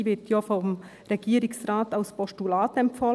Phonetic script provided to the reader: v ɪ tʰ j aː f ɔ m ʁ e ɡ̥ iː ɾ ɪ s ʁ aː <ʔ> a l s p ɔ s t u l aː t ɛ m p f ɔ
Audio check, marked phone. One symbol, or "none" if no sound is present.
t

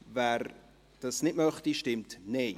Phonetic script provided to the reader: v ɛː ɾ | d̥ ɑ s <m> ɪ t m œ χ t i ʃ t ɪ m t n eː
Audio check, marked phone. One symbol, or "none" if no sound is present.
n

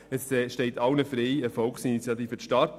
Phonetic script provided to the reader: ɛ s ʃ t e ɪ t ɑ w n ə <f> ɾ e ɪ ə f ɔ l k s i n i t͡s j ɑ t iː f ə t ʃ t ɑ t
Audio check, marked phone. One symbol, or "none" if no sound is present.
f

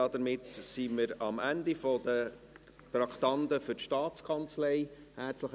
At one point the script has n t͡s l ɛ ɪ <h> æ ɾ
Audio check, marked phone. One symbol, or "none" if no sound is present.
h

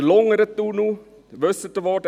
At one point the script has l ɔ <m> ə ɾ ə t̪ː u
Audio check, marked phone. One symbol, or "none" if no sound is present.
ŋ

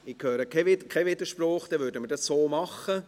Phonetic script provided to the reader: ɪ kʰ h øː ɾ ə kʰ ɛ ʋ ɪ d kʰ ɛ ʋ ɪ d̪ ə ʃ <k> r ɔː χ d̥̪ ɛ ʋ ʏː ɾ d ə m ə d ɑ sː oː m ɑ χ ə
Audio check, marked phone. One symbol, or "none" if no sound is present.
p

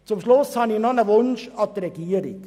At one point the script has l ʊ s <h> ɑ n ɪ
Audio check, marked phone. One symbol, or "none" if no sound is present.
h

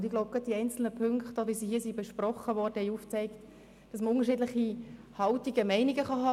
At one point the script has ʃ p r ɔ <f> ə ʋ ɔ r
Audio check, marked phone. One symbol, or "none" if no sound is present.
χ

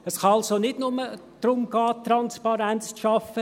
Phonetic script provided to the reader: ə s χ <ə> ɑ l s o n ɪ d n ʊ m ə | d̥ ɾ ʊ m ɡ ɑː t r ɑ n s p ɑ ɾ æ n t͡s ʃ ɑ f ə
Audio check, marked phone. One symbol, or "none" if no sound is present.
ɑ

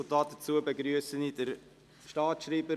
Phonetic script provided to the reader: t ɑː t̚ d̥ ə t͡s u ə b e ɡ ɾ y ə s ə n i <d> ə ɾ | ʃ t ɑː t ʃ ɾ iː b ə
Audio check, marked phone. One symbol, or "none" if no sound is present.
d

